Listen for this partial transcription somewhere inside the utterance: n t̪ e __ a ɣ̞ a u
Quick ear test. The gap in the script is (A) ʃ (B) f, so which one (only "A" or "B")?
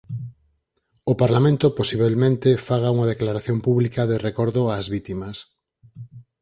B